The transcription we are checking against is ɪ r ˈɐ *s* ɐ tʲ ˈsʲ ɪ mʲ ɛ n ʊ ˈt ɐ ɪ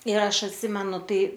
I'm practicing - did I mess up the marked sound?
yes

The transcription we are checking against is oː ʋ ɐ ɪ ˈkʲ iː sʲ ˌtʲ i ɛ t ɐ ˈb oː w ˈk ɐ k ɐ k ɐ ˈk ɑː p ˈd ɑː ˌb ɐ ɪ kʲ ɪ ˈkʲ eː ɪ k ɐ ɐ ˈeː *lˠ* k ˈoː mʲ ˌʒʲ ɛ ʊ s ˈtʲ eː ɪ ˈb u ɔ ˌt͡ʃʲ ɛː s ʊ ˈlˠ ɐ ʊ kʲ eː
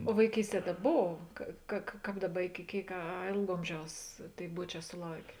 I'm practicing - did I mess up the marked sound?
no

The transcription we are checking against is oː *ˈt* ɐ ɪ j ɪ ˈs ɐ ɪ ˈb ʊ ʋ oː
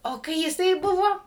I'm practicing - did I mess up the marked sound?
yes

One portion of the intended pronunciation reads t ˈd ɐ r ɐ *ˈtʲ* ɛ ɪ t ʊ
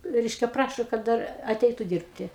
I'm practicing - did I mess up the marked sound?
no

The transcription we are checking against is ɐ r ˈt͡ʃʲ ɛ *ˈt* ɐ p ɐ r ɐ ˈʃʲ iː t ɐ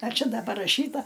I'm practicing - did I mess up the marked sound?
yes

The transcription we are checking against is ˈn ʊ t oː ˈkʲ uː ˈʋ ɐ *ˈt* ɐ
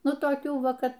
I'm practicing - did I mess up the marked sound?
yes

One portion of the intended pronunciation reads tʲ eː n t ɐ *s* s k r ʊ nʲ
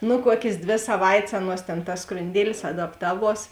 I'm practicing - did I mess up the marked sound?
no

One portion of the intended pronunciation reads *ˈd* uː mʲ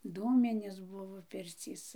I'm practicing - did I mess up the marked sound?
no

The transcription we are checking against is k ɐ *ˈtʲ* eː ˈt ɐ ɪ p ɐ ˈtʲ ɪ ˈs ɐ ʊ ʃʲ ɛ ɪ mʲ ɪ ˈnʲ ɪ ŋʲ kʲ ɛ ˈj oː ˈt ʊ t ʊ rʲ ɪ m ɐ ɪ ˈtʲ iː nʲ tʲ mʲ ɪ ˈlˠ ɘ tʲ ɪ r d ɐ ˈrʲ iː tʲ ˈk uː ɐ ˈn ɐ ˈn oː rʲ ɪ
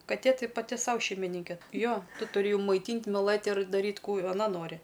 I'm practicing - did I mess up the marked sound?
no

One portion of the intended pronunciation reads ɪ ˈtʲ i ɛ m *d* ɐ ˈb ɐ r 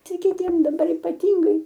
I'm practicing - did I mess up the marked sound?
no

